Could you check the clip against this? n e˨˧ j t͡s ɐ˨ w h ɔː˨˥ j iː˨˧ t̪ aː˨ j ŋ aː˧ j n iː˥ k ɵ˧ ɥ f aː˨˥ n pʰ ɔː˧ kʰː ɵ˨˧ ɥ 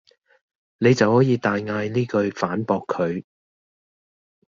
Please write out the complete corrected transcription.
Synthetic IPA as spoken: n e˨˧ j t͡s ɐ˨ w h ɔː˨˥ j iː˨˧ t̪ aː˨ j ŋ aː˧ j n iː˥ k ɵ˧ ɥ f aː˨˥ n p ɔː˧ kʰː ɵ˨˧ ɥ